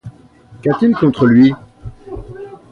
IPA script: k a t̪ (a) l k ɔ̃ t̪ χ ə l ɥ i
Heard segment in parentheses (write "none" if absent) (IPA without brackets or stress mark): i